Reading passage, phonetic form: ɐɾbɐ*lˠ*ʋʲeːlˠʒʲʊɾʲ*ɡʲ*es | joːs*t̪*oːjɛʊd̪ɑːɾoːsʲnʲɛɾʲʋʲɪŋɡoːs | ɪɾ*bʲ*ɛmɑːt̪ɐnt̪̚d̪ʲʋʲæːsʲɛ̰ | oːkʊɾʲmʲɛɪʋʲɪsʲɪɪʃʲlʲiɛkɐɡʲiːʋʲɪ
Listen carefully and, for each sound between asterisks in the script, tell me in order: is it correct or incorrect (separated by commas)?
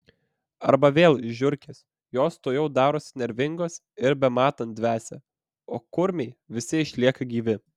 incorrect, incorrect, correct, correct